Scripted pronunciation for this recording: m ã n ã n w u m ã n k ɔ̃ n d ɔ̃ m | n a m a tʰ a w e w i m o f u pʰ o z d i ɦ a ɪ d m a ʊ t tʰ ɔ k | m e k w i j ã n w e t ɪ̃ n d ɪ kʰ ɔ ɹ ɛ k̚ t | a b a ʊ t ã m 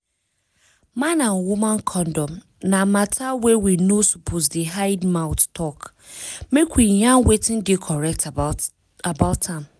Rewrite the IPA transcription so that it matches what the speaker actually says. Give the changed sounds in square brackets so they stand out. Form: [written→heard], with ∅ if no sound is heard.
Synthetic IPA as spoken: m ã n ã n w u m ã n [k→kʰ] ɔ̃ n d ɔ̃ m | n a m a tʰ a w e w i [m→n] o [f→s] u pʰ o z d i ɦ a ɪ d m a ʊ t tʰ ɔ k | m e k w i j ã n w e t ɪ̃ n d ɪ kʰ ɔ ɹ ɛ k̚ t | a b a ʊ t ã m